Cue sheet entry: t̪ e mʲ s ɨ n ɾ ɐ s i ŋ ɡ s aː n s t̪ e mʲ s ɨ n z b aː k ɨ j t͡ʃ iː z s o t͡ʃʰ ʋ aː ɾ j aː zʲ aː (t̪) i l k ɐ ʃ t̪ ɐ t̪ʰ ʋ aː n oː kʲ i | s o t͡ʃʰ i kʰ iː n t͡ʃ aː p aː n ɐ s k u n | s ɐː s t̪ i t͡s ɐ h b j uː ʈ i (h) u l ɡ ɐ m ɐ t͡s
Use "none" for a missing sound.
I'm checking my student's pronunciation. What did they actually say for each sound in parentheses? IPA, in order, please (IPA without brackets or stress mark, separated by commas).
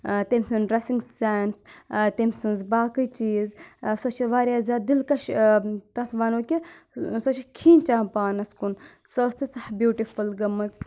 d̪, f